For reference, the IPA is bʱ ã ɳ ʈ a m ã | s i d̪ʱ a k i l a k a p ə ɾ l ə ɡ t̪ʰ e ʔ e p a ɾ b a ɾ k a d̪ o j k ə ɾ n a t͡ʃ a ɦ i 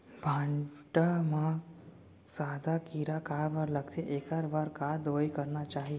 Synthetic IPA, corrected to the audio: bʱ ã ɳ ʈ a m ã | s a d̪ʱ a k i ɾ a k a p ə ɾ l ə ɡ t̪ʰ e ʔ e k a ɾ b a ɾ k a d̪ o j k ə ɾ n a t͡ʃ a ɦ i